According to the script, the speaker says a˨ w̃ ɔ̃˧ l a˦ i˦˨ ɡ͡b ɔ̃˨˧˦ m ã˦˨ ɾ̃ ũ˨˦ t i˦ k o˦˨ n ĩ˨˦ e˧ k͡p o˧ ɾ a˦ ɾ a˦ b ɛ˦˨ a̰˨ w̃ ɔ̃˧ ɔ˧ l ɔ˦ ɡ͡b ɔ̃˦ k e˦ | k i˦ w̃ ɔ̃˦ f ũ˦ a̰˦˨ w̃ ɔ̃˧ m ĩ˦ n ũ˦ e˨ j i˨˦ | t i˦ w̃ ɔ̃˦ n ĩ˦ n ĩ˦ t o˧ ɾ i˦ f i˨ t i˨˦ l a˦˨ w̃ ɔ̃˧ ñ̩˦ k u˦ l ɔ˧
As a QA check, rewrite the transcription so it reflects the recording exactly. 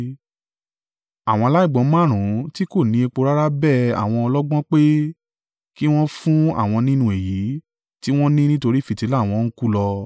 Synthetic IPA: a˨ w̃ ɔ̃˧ l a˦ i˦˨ ɡ͡b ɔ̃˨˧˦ m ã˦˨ ɾ̃ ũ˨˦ t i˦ k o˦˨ n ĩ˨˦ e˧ k͡p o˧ ɾ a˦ ɾ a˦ b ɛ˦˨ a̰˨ w̃ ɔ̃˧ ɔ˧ l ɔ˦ ɡ͡b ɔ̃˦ k͡p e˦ | k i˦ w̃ ɔ̃˦ f ũ˦ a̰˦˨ w̃ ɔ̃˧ n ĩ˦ n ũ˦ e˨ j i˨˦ | t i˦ w̃ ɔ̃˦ n ĩ˦ n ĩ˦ t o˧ ɾ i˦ f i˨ t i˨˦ l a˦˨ w̃ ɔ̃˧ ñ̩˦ k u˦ l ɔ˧

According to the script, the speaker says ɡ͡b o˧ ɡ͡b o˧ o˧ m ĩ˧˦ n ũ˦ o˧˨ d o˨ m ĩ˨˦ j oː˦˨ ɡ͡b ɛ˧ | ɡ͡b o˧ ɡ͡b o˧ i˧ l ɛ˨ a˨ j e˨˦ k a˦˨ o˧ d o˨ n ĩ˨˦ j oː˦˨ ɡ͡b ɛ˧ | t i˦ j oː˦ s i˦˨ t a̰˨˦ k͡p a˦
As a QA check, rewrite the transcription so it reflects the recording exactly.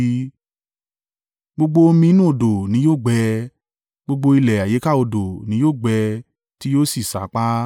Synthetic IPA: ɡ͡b o˧ ɡ͡b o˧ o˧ m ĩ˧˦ n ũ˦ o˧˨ d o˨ n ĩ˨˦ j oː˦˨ ɡ͡b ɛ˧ | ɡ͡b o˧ ɡ͡b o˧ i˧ l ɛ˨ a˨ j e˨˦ k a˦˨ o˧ d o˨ n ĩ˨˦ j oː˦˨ ɡ͡b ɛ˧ | t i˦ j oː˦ s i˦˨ s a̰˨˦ k͡p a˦

